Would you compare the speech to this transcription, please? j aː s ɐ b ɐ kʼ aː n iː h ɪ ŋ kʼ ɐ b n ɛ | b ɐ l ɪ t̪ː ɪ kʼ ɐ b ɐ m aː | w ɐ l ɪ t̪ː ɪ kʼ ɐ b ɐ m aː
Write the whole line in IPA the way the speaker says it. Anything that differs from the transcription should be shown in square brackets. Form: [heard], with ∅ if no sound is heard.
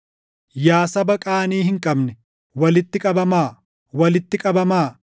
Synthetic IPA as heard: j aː s ɐ b ɐ kʼ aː n iː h ɪ ŋ kʼ ɐ b n ɛ | [w] ɐ l ɪ t̪ː ɪ kʼ ɐ b ɐ m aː | w ɐ l ɪ t̪ː ɪ kʼ ɐ b ɐ m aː